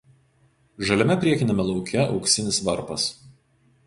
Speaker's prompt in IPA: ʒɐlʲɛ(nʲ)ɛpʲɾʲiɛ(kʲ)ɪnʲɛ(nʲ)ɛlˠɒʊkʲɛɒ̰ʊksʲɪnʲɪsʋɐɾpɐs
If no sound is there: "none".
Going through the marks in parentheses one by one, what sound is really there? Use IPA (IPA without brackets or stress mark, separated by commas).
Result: mʲ, kʲ, mʲ